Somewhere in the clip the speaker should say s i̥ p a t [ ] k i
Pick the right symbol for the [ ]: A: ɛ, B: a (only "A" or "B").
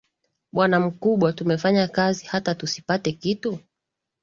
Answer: A